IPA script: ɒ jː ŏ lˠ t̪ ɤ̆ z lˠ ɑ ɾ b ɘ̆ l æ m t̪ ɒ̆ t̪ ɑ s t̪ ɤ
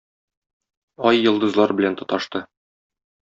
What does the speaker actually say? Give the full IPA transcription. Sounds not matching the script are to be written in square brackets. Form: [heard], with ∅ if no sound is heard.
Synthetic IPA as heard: ɒ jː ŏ lˠ [d̪] ɤ̆ z lˠ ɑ ɾ b ɘ̆ l æ [n] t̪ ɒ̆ t̪ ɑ [ʃ] t̪ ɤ